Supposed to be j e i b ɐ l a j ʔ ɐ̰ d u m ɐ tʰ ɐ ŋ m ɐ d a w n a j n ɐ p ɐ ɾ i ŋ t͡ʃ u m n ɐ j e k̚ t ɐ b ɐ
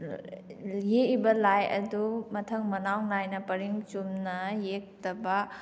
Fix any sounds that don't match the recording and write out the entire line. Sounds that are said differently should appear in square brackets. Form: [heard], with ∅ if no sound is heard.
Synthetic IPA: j e i b ɐ l a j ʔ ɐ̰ d u m ɐ tʰ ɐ ŋ m ɐ [n] a w n a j n ɐ p ɐ ɾ i ŋ t͡ʃ u m n ɐ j e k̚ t ɐ b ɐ